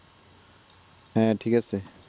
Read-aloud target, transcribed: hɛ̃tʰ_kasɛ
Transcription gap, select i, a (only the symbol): i